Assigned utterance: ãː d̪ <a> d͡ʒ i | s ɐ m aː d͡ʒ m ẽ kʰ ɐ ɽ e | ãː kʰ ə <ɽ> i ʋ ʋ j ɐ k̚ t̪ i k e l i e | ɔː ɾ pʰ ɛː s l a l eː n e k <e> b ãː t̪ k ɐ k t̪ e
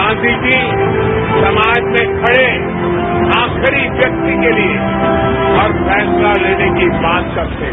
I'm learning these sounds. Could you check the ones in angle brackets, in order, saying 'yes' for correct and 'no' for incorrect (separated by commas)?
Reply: no, no, no